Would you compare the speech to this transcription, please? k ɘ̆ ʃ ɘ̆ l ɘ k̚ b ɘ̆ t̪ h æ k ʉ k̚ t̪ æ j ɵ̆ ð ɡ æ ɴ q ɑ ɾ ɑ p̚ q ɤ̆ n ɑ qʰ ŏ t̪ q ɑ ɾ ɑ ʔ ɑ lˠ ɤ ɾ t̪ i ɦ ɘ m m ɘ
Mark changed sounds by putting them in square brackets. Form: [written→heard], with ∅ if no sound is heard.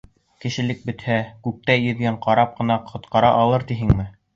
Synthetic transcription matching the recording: k ɘ̆ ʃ ɘ̆ l ɘ k̚ b ɘ̆ t̪ h æ k ʉ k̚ t̪ æ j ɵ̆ ð ɡ æ ɴ q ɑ ɾ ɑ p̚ q ɤ̆ n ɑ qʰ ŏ t̪ q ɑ ɾ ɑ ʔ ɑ lˠ ɤ ɾ t̪ i ɦ ɘ [m→ŋ] m ɘ